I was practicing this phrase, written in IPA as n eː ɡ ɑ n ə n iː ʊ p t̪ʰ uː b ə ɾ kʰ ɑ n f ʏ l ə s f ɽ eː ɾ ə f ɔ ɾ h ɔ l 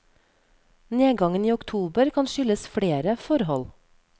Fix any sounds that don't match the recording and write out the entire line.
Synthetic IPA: n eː ɡ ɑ ŋ ə n iː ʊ k t̪ʰ uː b ə ɾ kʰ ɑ n ʃ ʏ l ə s f ɽ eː ɾ ə f ɔ ɾ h ɔ l